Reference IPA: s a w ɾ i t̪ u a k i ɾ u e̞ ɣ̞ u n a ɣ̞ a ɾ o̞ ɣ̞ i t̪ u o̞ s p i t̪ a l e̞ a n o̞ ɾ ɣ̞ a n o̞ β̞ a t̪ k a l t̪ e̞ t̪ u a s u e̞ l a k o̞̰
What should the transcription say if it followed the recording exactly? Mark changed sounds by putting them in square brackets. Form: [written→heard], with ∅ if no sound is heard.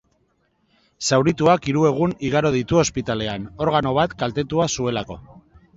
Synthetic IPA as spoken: s a w ɾ i t̪ u a k i ɾ u e̞ ɣ̞ u n [a→i] ɣ̞ a ɾ o̞ [ɣ̞→ð̞] i t̪ u o̞ s p i t̪ a l e̞ a n o̞ ɾ ɣ̞ a n o̞ β̞ a t̪ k a l t̪ e̞ t̪ u a s u e̞ l a k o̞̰

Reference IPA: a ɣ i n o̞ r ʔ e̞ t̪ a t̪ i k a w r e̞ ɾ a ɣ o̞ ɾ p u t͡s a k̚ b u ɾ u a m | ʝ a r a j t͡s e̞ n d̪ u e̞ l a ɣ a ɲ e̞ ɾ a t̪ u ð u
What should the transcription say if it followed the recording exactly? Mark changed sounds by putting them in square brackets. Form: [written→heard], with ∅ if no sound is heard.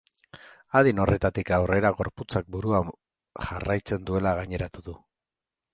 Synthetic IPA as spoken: a [ɣ→ð] i n o̞ r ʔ e̞ t̪ a t̪ i k a w r e̞ ɾ a ɣ o̞ ɾ p u t͡s a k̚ b u ɾ u a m | ʝ a r a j t͡s e̞ n d̪ u e̞ l a ɣ a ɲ e̞ ɾ a t̪ u ð u

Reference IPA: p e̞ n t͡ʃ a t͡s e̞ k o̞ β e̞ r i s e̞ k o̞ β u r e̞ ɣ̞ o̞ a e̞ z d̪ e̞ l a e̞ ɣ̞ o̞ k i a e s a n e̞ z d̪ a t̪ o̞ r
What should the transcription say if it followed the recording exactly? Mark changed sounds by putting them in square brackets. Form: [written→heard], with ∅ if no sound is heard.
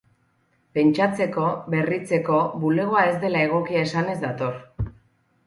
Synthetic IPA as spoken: p e̞ n t͡ʃ a t͡s e̞ k o̞ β e̞ r i [s→t͡s] e̞ k o̞ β u [r→l] e̞ ɣ̞ o̞ a e̞ z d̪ e̞ l a e̞ ɣ̞ o̞ k i a e s a n e̞ z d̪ a t̪ o̞ r

